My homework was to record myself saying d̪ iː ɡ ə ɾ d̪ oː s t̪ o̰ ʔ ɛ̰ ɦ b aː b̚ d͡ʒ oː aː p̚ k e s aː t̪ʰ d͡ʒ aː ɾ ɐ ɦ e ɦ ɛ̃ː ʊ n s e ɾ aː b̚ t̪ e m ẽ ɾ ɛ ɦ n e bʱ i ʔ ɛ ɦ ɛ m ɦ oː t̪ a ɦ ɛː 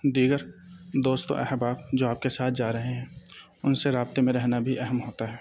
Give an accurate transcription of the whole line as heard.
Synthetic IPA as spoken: d̪ iː ɡ ə ɾ d̪ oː s t̪ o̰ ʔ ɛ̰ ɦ b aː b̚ d͡ʒ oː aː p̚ k e s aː t̪ʰ d͡ʒ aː ɾ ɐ ɦ e ɦ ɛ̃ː ʊ n s e ɾ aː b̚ t̪ e m ẽ ɾ ɛ ɦ n a bʱ i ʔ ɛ ɦ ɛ m ɦ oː t̪ a ɦ ɛː